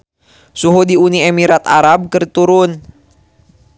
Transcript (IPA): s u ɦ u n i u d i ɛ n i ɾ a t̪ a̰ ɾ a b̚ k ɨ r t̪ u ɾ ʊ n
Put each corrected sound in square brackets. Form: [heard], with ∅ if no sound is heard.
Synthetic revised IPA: s u ɦ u [d] i u [n] i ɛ [m] i ɾ a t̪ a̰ ɾ a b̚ k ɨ r t̪ u ɾ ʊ n